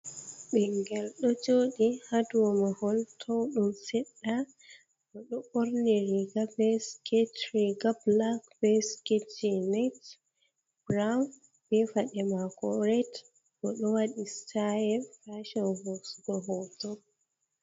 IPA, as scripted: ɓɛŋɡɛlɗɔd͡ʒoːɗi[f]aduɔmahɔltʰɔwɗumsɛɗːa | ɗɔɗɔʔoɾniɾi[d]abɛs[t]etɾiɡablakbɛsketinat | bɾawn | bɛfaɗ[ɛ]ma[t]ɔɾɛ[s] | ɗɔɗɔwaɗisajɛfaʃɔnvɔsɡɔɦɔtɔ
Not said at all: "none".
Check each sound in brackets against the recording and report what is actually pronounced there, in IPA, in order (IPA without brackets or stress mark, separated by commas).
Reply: h, ɡ, k, ɛ, k, t